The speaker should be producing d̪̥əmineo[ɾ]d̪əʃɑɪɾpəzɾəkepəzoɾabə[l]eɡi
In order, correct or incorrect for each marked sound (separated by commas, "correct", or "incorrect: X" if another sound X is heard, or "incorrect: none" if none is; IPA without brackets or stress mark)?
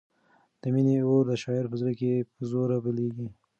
correct, correct